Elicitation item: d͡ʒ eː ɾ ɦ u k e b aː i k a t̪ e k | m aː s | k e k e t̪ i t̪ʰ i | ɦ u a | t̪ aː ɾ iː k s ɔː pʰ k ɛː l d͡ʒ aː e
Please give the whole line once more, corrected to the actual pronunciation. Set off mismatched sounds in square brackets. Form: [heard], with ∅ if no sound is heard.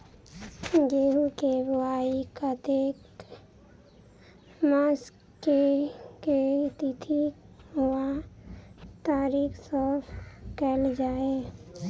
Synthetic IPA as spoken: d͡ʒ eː [∅] ɦ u k e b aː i k a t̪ e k | m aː s | k e k e t̪ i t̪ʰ i | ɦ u a | t̪ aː ɾ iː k s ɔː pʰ k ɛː l d͡ʒ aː e

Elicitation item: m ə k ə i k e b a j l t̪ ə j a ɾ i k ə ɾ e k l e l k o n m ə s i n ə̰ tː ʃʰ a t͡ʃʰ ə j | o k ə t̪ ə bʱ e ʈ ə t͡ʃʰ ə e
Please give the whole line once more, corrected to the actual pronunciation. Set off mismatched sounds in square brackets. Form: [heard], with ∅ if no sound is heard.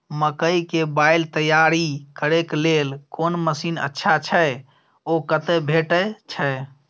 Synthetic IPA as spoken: m ə k ə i k e b a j l t̪ ə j a ɾ i k ə ɾ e k l e l k o n m ə s i n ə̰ tː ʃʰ a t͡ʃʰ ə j | o k ə t̪ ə bʱ e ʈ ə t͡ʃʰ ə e

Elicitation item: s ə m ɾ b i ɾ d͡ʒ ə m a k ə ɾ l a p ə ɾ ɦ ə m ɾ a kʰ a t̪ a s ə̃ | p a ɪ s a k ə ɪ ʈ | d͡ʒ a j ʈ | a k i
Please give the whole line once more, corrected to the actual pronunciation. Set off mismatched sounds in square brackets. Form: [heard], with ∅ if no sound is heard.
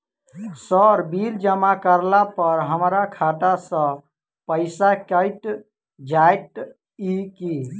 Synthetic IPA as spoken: s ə [∅] ɾ b i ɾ d͡ʒ ə m a k ə ɾ l a p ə ɾ ɦ ə m ɾ a kʰ a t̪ a s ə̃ | p [ə] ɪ s a k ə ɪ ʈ | d͡ʒ a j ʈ | [i] k i

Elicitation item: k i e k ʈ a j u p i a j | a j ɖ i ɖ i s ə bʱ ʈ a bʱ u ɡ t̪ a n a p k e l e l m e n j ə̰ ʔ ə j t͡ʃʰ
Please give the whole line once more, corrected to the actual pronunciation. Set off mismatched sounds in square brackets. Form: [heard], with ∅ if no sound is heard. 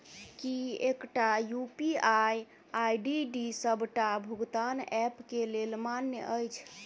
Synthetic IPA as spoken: k i e k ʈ a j u p i a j | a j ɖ i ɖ i s ə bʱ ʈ a bʱ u ɡ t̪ a n [ɛ] p k e l e l m [a] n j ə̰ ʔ ə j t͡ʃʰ

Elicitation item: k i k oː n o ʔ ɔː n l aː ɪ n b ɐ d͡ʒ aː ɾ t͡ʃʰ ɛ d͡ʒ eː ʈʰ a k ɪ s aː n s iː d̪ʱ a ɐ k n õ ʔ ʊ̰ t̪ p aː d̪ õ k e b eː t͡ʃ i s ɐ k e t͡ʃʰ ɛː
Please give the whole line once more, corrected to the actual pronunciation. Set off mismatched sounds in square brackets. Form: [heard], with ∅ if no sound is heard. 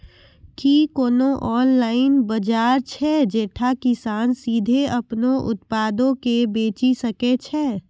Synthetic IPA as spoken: k i k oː n o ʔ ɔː n l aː ɪ n b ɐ d͡ʒ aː ɾ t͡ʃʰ ɛ d͡ʒ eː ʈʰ a k ɪ s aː n s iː d̪ʱ [e] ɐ [p] n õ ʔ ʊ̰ t̪ p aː d̪ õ k e b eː t͡ʃ i s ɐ k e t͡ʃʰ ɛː

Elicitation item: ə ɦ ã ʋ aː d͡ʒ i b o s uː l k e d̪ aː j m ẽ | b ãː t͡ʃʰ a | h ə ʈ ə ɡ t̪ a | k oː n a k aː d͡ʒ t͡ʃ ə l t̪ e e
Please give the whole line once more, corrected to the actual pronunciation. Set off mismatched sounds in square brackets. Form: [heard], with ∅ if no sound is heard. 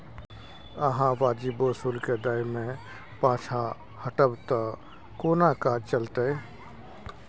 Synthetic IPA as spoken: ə ɦ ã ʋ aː d͡ʒ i b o s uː l k e d̪ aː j m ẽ | [p] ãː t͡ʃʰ a | h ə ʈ ə [b] t̪ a | k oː n a k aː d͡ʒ t͡ʃ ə l t̪ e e

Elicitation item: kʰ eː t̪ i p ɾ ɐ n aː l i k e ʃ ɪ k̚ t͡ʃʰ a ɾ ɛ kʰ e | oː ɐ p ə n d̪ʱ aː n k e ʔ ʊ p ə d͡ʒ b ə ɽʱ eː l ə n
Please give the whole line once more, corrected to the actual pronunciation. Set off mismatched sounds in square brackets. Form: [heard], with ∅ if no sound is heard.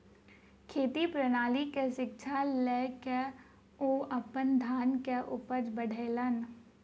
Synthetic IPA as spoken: kʰ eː t̪ i p ɾ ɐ n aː l i k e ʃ ɪ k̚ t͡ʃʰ a [l] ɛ [k] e | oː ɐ p ə n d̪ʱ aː n k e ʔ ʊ p ə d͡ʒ b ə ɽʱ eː l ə n

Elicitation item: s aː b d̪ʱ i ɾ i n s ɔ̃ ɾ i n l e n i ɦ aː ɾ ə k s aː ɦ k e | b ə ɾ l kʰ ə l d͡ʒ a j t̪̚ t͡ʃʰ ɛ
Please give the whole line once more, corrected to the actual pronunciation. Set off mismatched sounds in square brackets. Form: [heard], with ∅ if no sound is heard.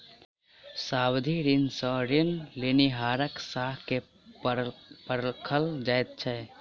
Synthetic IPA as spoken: s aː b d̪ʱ i ɾ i n s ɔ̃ ɾ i n l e n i ɦ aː ɾ ə k s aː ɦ k e | [p] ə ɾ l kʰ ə l d͡ʒ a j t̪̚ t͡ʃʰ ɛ

